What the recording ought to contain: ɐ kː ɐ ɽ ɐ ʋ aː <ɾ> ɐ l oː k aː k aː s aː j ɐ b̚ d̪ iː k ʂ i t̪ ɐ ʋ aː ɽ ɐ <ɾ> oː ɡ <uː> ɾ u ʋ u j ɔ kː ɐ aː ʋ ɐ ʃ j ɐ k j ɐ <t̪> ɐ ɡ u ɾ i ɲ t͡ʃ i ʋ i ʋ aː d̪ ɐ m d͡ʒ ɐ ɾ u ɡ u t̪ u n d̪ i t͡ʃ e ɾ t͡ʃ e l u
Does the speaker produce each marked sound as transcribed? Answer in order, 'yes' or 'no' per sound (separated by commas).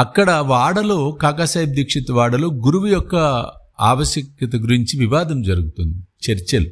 no, no, no, yes